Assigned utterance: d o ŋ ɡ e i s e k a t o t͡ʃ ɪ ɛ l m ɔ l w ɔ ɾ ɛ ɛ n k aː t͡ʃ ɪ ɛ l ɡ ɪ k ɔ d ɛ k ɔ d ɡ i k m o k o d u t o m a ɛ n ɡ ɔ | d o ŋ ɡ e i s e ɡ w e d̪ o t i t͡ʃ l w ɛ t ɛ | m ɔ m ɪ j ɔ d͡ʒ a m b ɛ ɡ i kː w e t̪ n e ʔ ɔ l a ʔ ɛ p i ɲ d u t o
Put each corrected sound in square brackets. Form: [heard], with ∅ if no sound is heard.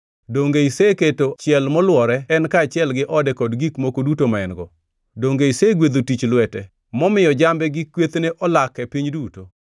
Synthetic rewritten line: d o ŋ ɡ e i s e k [e] t o t͡ʃ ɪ ɛ l m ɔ l w ɔ ɾ ɛ ɛ n k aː t͡ʃ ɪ ɛ l ɡ ɪ [ʔ] ɔ d ɛ k ɔ d ɡ i k m o k o d u t o m a ɛ n ɡ ɔ | d o ŋ ɡ e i s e ɡ w e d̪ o t i t͡ʃ l w ɛ t ɛ | m ɔ m ɪ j ɔ d͡ʒ a m b ɛ ɡ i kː w e t̪ n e ʔ ɔ l a [k] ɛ p i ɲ d u t o